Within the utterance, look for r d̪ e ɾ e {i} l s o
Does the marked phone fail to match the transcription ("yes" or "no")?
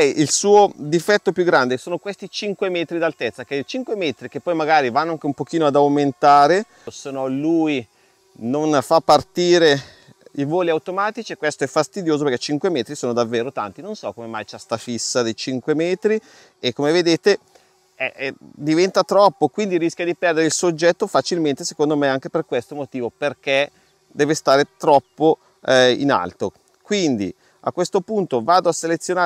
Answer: no